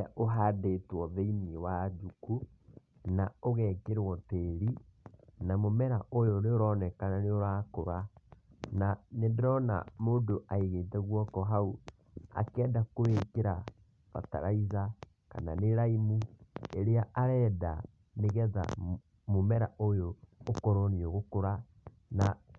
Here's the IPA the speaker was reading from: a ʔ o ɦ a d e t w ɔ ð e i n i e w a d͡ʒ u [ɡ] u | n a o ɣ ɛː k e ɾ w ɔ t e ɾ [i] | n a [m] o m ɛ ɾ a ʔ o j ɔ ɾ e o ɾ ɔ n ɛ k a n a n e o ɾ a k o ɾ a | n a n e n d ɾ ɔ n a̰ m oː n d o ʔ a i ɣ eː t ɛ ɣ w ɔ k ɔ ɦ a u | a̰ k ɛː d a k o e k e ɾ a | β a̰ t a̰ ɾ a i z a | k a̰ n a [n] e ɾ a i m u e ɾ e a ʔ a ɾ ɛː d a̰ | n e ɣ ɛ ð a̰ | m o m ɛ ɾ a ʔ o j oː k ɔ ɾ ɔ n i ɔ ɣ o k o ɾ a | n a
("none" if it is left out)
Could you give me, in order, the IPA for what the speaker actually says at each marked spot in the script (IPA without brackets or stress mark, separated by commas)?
k, i, m, n